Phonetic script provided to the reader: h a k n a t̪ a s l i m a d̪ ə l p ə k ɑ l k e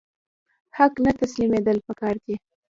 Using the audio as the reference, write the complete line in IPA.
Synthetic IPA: h a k n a t̪ a s l i m e d̪ ə l p ə k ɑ ɾ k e